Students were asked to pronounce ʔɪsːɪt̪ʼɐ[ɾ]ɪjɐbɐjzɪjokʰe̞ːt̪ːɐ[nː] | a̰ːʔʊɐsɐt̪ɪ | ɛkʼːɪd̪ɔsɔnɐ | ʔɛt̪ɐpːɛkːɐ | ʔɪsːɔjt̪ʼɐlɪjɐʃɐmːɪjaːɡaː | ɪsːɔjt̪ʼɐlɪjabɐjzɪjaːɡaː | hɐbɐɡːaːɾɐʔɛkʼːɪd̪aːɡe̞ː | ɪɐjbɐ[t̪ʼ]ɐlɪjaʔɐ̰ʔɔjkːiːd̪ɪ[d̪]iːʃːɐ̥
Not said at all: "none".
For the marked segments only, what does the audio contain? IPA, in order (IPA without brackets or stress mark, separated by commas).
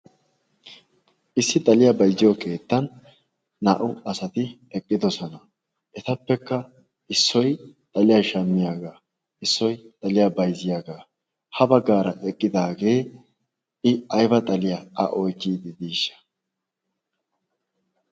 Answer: l, nː, t̪ʼ, d̪